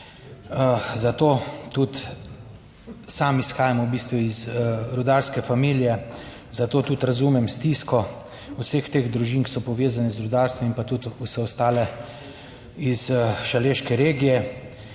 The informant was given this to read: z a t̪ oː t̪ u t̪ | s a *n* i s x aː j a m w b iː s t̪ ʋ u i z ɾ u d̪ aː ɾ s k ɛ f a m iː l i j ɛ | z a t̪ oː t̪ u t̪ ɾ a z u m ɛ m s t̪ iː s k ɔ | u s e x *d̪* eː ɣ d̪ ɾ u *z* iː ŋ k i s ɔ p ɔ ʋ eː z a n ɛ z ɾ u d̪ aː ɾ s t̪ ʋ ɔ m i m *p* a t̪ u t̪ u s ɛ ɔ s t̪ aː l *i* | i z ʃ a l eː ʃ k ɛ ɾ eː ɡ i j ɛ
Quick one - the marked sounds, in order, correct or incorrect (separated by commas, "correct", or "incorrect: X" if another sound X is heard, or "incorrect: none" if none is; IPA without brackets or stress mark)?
incorrect: m, incorrect: t̪, incorrect: ʒ, correct, incorrect: ɛ